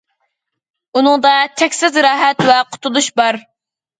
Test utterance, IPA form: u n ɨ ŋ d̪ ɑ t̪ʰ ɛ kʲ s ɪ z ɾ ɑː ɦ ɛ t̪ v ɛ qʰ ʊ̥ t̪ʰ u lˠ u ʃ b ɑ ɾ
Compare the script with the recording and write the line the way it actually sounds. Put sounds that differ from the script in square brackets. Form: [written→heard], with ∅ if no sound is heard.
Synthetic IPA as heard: u n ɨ ŋ d̪ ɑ t̪ʰ ɛ kʲ s ɪ z ɾ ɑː ɦ ɛ t̪ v ɛ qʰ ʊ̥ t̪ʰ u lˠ u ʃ b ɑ ɾ

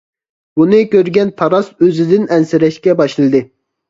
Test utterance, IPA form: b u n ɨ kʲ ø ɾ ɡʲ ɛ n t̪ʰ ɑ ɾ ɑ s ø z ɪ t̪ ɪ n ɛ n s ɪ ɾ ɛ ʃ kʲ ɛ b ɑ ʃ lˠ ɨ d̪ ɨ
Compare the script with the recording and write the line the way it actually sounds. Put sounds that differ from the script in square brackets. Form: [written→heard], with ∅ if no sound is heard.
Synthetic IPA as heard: b u n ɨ kʲ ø ɾ ɡʲ ɛ n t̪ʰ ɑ ɾ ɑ s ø z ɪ [t̪→d̪] ɪ n ɛ n s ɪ ɾ ɛ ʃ kʲ ɛ b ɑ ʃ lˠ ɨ d̪ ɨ

